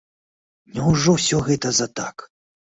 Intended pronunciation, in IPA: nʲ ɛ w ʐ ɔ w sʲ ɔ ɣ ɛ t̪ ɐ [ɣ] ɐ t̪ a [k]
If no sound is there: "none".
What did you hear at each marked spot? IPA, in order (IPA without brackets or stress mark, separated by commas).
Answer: z, k